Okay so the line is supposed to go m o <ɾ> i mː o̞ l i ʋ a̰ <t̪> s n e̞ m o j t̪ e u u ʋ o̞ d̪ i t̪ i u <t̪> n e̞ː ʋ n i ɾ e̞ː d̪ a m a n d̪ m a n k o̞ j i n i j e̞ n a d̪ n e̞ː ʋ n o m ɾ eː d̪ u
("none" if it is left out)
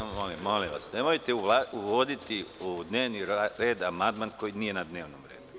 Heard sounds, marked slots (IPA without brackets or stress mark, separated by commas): l, none, d̪